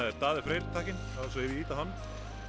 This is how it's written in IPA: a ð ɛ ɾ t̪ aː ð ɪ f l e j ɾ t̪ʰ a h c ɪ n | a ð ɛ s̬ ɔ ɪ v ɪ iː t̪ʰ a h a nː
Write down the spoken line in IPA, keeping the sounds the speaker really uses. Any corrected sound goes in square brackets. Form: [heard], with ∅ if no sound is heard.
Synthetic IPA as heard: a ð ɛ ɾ t̪ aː ð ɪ f [ɾ] e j ɾ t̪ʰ a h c ɪ n | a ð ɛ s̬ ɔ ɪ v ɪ iː [t̪] a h a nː